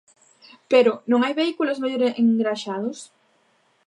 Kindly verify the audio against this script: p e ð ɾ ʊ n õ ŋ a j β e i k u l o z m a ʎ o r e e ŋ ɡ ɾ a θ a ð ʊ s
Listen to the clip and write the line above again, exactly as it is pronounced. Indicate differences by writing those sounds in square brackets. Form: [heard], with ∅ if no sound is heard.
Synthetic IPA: p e [∅] ɾ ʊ n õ ŋ a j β e i k u l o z m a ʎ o [ɾ] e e ŋ ɡ ɾ a [ʃ] a ð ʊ s